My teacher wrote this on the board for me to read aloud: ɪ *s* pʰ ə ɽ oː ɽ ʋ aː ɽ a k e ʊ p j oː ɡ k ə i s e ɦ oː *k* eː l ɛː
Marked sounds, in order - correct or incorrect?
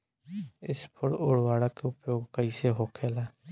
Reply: correct, incorrect: kʰ

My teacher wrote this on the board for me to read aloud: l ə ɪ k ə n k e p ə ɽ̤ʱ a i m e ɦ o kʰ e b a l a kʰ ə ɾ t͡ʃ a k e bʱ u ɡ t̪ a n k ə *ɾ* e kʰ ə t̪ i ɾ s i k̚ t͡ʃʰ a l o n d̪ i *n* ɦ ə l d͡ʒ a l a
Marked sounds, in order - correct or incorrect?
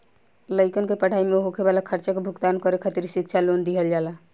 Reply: correct, incorrect: none

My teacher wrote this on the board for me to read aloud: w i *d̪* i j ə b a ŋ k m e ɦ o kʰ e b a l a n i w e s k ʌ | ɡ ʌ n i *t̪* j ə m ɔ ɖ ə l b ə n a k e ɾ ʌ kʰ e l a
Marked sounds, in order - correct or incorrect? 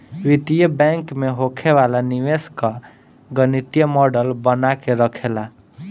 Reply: incorrect: t̪, correct

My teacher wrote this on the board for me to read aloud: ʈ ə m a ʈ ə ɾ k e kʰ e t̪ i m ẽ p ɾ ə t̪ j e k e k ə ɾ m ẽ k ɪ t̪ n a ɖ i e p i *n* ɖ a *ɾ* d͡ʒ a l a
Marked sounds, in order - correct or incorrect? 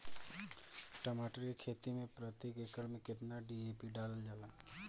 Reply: incorrect: none, incorrect: l

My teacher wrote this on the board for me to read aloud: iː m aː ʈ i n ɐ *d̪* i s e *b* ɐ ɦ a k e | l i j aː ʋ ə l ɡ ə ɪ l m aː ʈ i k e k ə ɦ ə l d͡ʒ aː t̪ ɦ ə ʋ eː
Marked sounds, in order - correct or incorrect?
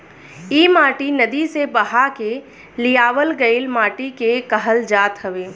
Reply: correct, correct

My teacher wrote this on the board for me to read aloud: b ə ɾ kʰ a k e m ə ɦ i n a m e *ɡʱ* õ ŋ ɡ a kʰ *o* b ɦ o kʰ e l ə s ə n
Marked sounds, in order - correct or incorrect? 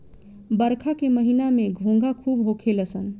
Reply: correct, incorrect: u

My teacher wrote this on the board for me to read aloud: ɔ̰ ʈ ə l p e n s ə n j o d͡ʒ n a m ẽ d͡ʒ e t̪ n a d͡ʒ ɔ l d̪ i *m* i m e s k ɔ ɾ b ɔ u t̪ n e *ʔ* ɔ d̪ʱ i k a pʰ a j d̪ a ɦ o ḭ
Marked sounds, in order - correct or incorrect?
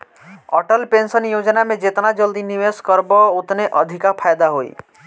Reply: incorrect: n, correct

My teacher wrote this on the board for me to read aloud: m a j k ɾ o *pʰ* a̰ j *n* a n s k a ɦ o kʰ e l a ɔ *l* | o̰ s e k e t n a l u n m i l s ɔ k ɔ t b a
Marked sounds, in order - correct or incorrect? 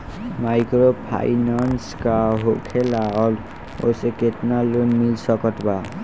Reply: correct, correct, correct

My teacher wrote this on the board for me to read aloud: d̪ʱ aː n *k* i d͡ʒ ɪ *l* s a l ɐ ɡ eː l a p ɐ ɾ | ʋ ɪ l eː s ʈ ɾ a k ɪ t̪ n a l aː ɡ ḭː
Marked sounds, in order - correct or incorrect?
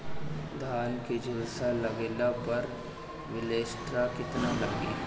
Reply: correct, correct

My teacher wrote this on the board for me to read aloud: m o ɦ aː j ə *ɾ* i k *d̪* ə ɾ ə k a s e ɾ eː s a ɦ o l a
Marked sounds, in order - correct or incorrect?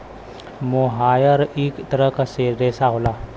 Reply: correct, incorrect: t̪

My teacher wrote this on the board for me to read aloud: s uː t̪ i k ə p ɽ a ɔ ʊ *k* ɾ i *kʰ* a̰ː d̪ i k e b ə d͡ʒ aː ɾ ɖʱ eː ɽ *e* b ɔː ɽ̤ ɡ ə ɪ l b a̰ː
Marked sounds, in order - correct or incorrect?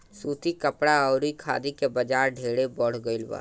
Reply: incorrect: none, correct, correct

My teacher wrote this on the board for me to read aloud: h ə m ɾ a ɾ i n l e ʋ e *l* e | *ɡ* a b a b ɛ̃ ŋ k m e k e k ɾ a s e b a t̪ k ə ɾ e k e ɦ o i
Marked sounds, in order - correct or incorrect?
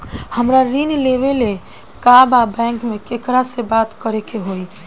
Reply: correct, incorrect: k

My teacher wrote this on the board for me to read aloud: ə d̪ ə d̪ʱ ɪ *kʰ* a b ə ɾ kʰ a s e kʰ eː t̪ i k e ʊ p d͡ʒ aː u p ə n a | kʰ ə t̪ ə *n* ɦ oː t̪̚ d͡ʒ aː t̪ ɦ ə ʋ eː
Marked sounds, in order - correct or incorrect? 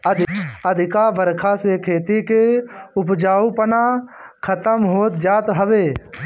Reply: incorrect: k, incorrect: m

